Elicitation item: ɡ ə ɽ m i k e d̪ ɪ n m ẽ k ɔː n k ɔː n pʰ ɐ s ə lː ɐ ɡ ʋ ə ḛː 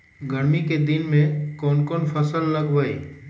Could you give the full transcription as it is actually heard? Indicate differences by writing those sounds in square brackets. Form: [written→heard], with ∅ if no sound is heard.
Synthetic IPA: ɡ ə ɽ m i k e d̪ ɪ n m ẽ k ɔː n k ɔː n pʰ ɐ s ə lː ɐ ɡ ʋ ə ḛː